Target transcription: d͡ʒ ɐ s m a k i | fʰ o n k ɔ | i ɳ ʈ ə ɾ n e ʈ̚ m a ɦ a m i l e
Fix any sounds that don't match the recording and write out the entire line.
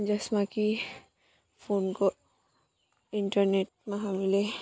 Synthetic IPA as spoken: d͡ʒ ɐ s m a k i | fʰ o n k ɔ | i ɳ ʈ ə ɾ n e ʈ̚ m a ɦ a m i l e